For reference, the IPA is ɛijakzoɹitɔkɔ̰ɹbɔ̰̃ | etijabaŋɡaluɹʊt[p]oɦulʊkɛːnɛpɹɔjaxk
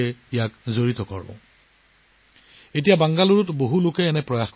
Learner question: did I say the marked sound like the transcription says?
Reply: no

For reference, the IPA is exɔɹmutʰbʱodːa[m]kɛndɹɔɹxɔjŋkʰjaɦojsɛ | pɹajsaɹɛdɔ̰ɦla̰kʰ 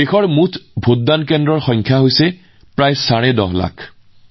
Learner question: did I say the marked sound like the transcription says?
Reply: no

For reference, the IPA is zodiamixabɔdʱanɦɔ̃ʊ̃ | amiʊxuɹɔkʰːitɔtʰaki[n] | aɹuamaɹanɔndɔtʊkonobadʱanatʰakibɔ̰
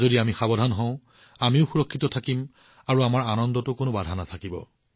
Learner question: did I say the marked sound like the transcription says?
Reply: no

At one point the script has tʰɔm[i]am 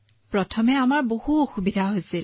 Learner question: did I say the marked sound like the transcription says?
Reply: no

